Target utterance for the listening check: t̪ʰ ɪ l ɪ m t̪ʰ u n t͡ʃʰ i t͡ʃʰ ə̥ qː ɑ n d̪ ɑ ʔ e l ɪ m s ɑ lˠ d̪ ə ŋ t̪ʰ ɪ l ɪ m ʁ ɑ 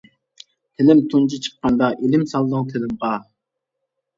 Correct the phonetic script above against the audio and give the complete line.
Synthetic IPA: t̪ʰ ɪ l ɪ m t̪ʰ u n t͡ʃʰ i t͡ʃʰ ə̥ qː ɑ n d̪ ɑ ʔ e l ɪ m s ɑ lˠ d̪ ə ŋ t̪ʰ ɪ l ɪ m ʁ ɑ